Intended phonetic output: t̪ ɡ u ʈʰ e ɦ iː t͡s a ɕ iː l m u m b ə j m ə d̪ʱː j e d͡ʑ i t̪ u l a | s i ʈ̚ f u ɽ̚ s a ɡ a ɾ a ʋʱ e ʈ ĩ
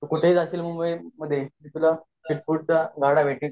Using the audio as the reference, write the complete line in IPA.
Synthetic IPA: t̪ k u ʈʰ e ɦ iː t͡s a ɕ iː l m u m b ə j m ə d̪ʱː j e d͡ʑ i t̪ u l a | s i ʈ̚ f u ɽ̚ t͡s a ɡ a ɽ a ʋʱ e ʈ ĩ